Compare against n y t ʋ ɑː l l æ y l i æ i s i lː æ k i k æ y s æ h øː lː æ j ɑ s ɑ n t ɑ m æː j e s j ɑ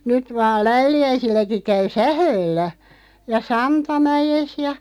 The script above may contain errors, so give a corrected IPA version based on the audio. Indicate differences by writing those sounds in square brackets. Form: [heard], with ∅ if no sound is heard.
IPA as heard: n y t ʋ ɑː l l æ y l i æ i s i lː æ k i k æ y s æ h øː lː æ j ɑ s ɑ n t ɑ m [æ] j e s j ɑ